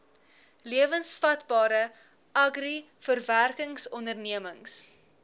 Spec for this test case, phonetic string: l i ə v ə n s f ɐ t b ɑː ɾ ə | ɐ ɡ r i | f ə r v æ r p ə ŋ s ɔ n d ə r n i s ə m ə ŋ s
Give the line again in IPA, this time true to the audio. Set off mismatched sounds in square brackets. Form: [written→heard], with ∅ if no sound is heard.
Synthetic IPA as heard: l i ə v ə n s f ɐ t b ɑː ɾ ə | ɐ ɡ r i | f ə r v æ r [p→k] ə ŋ s ɔ n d ə r n i [s→∅] ə m ə ŋ s